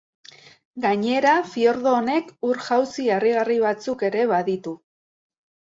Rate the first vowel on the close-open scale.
open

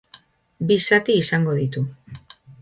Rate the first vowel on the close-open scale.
close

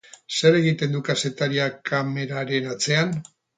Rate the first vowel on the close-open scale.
mid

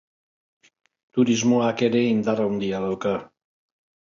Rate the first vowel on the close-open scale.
close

